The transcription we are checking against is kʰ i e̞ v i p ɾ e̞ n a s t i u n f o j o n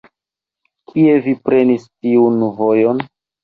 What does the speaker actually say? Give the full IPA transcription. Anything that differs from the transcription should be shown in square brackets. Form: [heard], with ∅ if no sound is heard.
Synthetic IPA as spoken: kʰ i e̞ v i p ɾ e̞ n [i] s t i u n [v] o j o n

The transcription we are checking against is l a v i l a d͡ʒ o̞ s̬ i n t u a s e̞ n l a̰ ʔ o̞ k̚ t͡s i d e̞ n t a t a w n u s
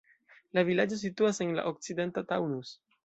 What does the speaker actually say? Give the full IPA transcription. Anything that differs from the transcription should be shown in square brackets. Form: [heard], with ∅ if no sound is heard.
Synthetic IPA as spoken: l a v i l a d͡ʒ o̞ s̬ i [∅] t u a s e̞ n l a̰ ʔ o̞ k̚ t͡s i d e̞ n t a t a w n u s

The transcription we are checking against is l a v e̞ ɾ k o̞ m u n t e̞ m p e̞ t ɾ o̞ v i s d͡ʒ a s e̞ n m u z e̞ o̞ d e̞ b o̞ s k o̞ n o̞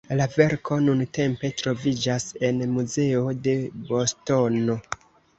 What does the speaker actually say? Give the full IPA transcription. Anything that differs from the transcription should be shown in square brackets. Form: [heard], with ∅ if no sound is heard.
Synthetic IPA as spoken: l a v e̞ ɾ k o̞ [n] u n t e̞ m p e̞ t ɾ o̞ v i [∅] d͡ʒ a s e̞ n m u z e̞ o̞ d e̞ b o̞ s [t] o̞ n o̞

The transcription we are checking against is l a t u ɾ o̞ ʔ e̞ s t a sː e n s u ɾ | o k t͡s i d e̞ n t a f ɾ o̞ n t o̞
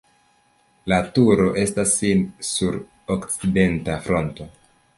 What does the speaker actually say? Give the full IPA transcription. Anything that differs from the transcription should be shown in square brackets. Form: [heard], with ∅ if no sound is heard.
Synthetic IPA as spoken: l a t u ɾ o̞ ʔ e̞ s t a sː [i] n s u ɾ | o k t͡s i d e̞ n t a f ɾ o̞ n t o̞

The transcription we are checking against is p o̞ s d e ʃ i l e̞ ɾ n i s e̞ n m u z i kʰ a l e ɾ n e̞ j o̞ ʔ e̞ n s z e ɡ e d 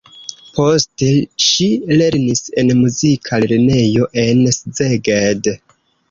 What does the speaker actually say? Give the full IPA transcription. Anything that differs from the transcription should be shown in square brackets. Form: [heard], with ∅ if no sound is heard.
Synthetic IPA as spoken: p o̞ s [t] e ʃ i l e̞ ɾ n i s e̞ n m u z i kʰ a l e ɾ n e̞ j o̞ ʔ e̞ n s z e ɡ e d

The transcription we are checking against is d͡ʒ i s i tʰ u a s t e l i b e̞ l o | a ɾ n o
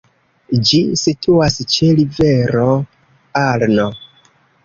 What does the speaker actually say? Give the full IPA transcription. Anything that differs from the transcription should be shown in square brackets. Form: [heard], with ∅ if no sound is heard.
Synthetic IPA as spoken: d͡ʒ i s i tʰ u a s [t͡ʃ] e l i [v] e̞ [ɾ] o | a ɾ n o

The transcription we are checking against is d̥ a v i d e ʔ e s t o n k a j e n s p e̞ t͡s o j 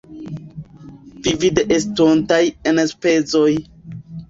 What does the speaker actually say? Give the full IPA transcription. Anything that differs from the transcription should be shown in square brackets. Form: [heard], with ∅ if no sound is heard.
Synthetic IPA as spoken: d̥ [i] v i d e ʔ e s t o n [t] a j e n s p e̞ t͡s o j

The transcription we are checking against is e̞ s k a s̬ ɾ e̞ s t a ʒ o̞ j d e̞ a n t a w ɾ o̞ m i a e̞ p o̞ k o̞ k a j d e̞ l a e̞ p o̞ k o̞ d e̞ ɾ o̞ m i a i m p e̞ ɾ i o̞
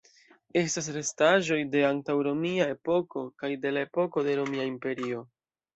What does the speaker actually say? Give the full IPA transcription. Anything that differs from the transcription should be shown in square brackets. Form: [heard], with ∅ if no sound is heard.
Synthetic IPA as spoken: e̞ s [t] a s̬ ɾ e̞ s t a ʒ o̞ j d e̞ a n t a w ɾ o̞ m i a e̞ p o̞ k o̞ k a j d e̞ l a e̞ p o̞ k o̞ d e̞ ɾ o̞ m i a i m p e̞ ɾ i o̞

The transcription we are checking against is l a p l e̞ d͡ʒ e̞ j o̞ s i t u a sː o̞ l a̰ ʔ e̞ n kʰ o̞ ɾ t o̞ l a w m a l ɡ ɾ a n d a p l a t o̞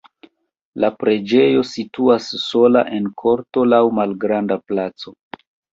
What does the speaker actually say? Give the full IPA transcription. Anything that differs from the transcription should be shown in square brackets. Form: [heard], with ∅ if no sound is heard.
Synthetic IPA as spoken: l a p [ɾ] e̞ d͡ʒ e̞ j o̞ s i t u a sː o̞ l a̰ ʔ e̞ n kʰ o̞ ɾ t o̞ l a w m a l ɡ ɾ a n d a p l a [t͡s] o̞

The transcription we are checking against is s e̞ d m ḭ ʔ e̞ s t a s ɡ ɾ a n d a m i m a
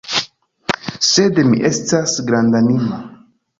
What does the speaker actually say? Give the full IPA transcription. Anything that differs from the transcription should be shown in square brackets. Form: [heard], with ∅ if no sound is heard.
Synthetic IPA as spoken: s e̞ d m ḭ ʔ e̞ s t a s ɡ ɾ a n d a [n] i m a

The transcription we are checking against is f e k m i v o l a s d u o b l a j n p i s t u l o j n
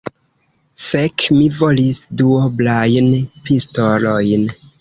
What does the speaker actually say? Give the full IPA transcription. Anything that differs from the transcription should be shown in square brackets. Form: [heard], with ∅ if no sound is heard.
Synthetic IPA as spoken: f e k m i v o l [i] s d u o b l a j n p i s t [o] l o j n

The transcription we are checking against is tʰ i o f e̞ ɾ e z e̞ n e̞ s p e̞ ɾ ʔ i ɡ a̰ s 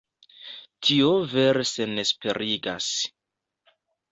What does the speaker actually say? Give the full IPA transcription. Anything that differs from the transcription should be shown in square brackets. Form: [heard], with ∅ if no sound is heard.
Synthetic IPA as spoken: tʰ i o [v] e̞ ɾ e [s] e̞ n e̞ s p e̞ ɾ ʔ i ɡ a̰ s

